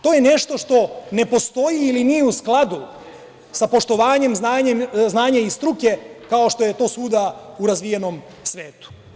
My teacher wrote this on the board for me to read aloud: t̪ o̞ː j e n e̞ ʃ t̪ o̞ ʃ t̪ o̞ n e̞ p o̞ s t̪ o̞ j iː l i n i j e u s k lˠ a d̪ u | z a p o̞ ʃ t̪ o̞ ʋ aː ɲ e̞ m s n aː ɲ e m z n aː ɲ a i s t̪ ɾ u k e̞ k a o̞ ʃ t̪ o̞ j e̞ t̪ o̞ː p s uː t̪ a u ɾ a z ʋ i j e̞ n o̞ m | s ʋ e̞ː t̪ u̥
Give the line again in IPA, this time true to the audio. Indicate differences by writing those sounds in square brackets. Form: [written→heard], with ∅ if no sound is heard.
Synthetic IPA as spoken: t̪ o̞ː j e n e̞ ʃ t̪ o̞ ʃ t̪ o̞ n e̞ p o̞ s t̪ o̞ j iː l i n i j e u s k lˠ a d̪ u | [z→s] a p o̞ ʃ t̪ o̞ ʋ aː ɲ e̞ m [s→z] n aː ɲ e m z n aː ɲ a i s t̪ ɾ u k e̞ k a o̞ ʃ t̪ o̞ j e̞ t̪ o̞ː [p→∅] s uː [t̪→d̪] a u ɾ a z ʋ i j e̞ n o̞ m | s ʋ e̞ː t̪ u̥

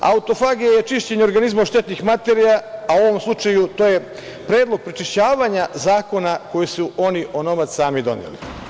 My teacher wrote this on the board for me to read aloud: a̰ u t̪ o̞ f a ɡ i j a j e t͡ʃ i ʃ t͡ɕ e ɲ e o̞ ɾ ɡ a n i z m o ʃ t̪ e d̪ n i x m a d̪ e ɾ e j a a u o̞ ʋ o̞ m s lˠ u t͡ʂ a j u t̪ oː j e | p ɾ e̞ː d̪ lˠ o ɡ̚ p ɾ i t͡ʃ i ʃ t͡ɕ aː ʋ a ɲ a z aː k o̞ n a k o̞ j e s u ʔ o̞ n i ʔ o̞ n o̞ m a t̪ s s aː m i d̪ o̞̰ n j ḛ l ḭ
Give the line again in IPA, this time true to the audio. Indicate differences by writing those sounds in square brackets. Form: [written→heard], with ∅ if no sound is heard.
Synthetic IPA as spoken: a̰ u t̪ o̞ f a ɡ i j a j e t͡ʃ i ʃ t͡ɕ e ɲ e o̞ ɾ ɡ a n i z m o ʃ t̪ e [d̪→t̪] n i x m a [d̪→t̪] e ɾ [e→i] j a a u o̞ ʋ o̞ m s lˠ u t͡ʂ a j u t̪ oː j e | p ɾ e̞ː d̪ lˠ o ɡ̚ p ɾ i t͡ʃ i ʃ t͡ɕ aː ʋ a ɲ a z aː k o̞ n a k o̞ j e s u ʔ o̞ n i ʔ o̞ n o̞ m a t̪ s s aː m i d̪ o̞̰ n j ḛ l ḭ

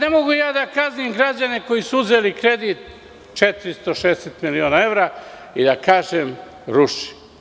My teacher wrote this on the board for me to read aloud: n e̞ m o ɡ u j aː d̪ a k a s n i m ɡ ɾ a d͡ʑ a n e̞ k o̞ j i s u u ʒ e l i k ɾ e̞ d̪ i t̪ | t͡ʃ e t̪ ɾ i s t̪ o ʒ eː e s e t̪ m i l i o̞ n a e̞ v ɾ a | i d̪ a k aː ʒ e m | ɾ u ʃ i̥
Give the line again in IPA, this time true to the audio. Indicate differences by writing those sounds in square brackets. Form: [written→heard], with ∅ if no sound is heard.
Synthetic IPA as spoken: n e̞ m o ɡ u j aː d̪ a k a [s→z] n i m ɡ ɾ a d͡ʑ a n e̞ k o̞ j i s u u [ʒ→z] e l i k ɾ e̞ d̪ i t̪ | t͡ʃ e t̪ ɾ i s t̪ o [ʒ→ʃ] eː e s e t̪ m i l i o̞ n a e̞ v ɾ a | i d̪ a k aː ʒ e m | ɾ u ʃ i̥

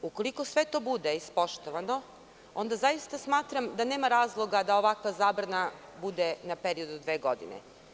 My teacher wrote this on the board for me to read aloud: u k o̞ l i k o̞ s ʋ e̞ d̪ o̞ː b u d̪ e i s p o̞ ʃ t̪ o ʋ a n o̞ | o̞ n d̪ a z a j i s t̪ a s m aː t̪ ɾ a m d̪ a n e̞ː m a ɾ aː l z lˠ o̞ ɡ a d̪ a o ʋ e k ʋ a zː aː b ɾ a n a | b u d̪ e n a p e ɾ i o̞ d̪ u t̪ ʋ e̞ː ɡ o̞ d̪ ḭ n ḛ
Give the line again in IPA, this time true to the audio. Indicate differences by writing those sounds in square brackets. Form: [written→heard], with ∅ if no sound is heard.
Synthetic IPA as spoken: u k o̞ l i k o̞ s ʋ e̞ [d̪→t̪] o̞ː b u d̪ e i s p o̞ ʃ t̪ o ʋ a n o̞ | o̞ n d̪ a z a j i s t̪ a s m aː t̪ ɾ a m d̪ a n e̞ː m a ɾ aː [l→∅] z lˠ o̞ ɡ a d̪ a o ʋ [e→a] k ʋ a [zː→z] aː b ɾ a n a | b u d̪ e n a p e ɾ i o̞ d̪ u [t̪→d̪] ʋ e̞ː ɡ o̞ d̪ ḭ n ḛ

